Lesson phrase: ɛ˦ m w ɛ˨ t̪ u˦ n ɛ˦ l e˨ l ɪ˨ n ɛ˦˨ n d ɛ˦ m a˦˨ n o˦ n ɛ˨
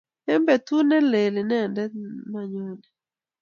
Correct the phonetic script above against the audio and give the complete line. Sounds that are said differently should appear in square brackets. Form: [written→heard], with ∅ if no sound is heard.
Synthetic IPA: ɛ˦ m [w→b] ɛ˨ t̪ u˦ n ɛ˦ l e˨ l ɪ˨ n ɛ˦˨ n d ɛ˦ m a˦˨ [n→ɲ] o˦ n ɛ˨